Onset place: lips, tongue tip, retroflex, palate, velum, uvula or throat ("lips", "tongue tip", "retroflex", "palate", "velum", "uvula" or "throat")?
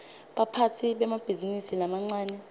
lips